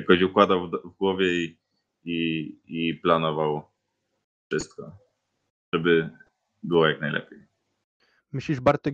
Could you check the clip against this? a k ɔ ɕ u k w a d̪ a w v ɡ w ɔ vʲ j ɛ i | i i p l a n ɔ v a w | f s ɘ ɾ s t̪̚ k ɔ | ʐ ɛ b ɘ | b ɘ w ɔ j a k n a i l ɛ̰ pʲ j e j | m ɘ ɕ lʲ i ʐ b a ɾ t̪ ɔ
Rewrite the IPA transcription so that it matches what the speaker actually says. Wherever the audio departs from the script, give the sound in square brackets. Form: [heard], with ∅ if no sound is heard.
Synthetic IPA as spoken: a k ɔ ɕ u k w a d̪ a w v ɡ w ɔ vʲ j ɛ i | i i p l a n ɔ v a w | f [ʂ] ɘ [∅] s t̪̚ k ɔ | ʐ ɛ b ɘ | b ɘ w ɔ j a k n a [j] l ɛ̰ pʲ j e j | m ɘ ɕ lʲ i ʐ b a ɾ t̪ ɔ